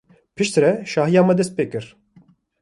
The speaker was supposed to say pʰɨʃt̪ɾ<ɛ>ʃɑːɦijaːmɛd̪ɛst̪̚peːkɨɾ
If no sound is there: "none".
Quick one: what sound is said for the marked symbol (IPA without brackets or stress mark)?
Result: ɛ